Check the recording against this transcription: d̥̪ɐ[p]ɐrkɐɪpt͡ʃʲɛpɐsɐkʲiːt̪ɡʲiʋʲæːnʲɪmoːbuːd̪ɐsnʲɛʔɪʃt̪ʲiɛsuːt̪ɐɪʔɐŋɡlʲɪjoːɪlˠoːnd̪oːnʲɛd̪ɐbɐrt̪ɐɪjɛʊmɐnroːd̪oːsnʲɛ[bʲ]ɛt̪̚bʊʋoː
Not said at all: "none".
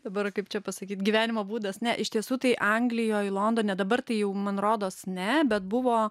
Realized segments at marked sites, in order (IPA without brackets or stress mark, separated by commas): b, bʲ